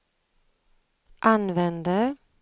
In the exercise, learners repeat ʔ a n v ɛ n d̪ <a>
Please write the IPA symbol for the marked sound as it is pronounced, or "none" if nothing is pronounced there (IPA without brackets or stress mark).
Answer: ə